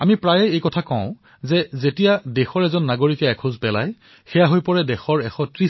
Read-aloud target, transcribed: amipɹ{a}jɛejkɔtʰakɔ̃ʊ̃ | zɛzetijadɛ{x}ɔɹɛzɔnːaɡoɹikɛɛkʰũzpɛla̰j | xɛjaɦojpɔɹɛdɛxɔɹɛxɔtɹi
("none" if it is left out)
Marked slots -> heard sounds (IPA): a, x

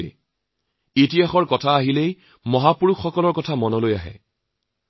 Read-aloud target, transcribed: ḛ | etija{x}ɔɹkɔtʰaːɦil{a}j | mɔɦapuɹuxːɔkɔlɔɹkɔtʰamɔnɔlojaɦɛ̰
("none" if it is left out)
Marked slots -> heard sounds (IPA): x, e

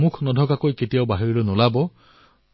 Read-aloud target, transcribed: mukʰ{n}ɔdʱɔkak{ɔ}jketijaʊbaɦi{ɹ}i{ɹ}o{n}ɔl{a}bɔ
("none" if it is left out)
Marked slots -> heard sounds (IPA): n, o, ɹ, l, n, a

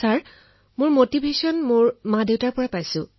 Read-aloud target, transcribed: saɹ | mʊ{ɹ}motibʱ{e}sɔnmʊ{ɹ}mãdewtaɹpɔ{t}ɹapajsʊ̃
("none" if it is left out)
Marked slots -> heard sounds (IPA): ɹ, e, ɹ, none

